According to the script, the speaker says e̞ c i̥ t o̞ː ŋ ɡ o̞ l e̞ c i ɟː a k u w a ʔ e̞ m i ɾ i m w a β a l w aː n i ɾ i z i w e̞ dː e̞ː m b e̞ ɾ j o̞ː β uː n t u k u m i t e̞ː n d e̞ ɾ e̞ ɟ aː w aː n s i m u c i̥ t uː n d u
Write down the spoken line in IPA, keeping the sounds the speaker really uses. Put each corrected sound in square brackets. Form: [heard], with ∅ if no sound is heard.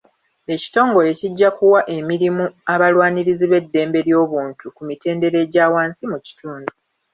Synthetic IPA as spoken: e̞ c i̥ t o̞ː ŋ ɡ o̞ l e̞ c i ɟː a k u w a ʔ e̞ m i ɾ i m [u] a β a l w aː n i ɾ i z i [β] e̞ dː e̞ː m b e̞ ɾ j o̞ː β uː n t u k u m i t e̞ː n d e̞ ɾ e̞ ɟ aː w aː n s i m u c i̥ t uː n d u